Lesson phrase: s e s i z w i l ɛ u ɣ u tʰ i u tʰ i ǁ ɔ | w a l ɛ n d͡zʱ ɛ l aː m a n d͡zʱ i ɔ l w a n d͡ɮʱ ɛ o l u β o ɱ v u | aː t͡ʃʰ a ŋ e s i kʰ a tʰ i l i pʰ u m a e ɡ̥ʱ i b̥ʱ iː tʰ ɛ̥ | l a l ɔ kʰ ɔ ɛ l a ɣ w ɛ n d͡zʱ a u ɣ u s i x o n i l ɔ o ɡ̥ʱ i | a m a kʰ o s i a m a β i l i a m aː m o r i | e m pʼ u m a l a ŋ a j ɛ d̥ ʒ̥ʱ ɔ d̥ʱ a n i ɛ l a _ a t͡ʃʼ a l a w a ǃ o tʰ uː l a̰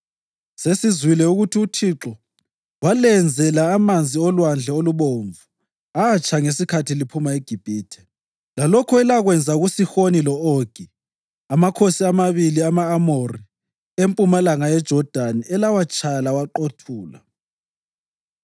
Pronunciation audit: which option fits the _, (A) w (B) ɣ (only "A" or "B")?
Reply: A